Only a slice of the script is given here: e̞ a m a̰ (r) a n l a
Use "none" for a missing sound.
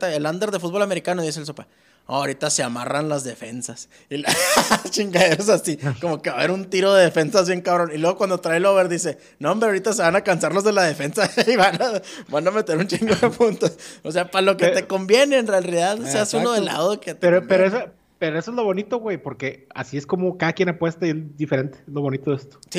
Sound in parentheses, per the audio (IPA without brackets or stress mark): r